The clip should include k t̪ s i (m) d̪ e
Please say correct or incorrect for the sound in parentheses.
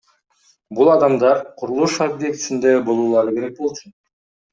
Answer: incorrect